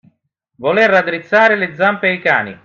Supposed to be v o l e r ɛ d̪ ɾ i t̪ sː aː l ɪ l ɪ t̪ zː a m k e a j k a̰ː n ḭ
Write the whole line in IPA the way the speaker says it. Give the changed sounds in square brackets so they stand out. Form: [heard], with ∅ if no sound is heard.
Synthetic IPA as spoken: v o l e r [a] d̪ ɾ i t̪ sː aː [ɾ] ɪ l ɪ [d̪] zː a m [p] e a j k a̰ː n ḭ